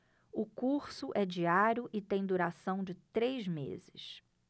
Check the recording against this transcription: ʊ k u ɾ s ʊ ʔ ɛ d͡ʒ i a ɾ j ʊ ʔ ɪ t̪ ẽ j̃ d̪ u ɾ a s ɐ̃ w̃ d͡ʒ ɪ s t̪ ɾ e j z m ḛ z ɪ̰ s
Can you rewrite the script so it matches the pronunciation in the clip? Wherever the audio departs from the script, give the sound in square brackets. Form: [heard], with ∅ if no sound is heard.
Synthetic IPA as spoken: ʊ k u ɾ s ʊ ʔ ɛ d͡ʒ i a ɾ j ʊ ʔ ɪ t̪ ẽ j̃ d̪ u ɾ a s ɐ̃ w̃ d͡ʒ ɪ [∅] t̪ ɾ e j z m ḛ z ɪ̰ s